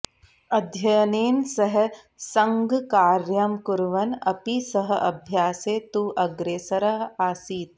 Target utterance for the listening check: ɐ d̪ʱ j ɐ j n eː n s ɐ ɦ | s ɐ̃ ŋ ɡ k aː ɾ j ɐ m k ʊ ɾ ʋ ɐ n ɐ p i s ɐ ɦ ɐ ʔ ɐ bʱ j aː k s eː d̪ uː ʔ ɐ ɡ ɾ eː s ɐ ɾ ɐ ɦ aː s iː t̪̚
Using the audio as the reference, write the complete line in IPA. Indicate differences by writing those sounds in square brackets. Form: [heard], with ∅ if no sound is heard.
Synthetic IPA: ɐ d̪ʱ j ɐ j n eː n s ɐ ɦ | s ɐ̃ ŋ ɡ k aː ɾ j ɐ m k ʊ ɾ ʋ ɐ n ɐ p i s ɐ ɦ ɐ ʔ ɐ bʱ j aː [∅] s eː [t̪] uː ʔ ɐ ɡ ɾ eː s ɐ ɾ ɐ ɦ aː s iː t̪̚